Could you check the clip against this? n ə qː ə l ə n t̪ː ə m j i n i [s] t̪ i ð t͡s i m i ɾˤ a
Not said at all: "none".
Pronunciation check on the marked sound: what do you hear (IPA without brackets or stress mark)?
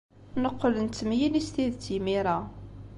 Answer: s